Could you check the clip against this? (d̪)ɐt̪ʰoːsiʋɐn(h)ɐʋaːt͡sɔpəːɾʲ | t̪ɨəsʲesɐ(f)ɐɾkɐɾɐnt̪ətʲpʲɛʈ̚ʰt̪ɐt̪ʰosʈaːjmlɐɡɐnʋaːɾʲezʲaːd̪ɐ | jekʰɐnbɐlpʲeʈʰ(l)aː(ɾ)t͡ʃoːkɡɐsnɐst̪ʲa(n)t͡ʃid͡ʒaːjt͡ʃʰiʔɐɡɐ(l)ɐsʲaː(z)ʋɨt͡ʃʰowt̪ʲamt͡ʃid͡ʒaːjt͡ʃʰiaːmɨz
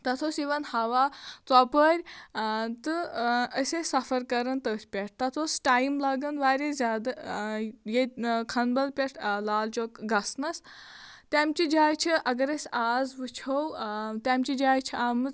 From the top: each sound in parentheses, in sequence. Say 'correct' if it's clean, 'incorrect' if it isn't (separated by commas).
incorrect, correct, correct, correct, incorrect, incorrect, incorrect, correct